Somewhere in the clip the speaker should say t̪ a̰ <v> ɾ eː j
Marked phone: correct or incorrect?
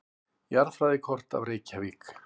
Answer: correct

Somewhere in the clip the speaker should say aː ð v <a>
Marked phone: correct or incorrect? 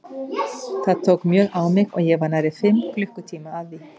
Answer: incorrect: i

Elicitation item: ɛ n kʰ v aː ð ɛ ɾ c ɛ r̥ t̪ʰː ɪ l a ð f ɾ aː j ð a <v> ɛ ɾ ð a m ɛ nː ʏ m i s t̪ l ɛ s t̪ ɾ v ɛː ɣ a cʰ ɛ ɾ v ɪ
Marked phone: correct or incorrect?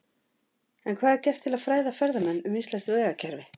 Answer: incorrect: f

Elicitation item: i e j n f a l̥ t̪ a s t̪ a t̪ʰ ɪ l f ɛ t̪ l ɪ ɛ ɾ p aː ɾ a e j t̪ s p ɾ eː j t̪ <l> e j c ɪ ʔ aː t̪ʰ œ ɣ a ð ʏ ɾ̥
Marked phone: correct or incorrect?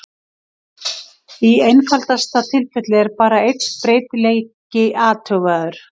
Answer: correct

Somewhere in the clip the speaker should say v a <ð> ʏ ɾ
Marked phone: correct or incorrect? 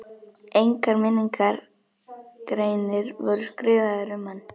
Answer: correct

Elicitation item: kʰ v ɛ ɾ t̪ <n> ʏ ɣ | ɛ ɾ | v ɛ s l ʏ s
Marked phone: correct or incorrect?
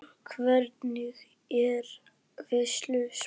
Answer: correct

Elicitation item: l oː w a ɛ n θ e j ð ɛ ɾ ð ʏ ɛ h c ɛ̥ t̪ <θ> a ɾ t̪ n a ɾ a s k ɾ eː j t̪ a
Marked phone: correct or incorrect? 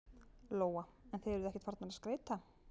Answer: incorrect: f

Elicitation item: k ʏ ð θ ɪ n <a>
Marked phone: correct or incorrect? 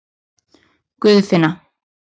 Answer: correct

